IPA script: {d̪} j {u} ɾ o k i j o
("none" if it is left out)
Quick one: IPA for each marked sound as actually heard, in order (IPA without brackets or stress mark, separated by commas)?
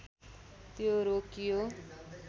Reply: t̪, o